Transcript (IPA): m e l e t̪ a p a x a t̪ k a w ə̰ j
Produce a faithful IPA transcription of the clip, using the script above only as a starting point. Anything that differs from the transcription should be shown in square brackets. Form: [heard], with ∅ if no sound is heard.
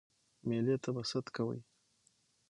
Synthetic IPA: m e l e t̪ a [b] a [s] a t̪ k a w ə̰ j